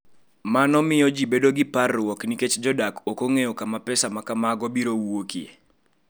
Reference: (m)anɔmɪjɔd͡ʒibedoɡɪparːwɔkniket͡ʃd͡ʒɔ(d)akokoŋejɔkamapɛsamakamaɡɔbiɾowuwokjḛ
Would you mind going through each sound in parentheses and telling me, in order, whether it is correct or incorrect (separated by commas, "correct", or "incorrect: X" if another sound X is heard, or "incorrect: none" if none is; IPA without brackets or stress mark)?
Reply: correct, correct